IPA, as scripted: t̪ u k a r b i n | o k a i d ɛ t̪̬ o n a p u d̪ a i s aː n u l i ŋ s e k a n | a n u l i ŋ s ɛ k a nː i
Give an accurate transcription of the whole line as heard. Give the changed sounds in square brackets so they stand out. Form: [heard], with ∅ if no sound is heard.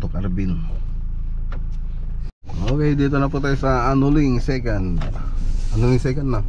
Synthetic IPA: t̪ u k a r b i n | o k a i d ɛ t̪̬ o n a p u [t̪] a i s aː n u l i ŋ s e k a n | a n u l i ŋ s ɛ k a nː [a]

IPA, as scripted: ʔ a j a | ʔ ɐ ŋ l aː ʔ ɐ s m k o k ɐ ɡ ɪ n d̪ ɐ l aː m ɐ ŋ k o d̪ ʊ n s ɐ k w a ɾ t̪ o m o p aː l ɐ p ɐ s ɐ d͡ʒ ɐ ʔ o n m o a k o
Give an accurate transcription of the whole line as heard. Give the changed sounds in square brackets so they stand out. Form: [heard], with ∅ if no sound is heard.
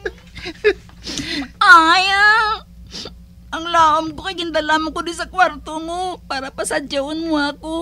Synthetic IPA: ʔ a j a | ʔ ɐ ŋ l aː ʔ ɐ [∅] m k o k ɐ ɡ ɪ n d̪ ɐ l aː m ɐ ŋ k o d̪ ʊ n s ɐ k w a ɾ t̪ o m o p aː [ɾ] ɐ p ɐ s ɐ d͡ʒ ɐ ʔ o n m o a k o

